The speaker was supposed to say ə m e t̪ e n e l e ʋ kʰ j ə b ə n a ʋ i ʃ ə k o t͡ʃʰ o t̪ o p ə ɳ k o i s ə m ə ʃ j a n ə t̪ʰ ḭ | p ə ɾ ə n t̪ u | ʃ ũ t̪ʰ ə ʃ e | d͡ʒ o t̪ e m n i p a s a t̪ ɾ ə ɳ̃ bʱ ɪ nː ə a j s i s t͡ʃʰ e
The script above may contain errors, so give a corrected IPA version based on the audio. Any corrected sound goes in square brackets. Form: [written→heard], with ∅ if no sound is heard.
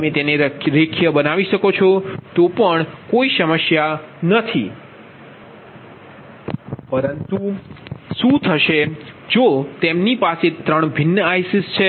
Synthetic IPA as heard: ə m e t̪ e n e [l→ɾ] e [ʋ→∅] kʰ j ə b ə n a ʋ i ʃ ə k o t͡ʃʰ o t̪ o p ə ɳ k o i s ə m ə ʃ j a n ə t̪ʰ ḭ | p ə ɾ ə n t̪ u | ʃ ũ t̪ʰ ə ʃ e | d͡ʒ o t̪ e m n i p a s [a→e] t̪ ɾ ə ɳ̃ bʱ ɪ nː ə a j s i s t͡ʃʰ e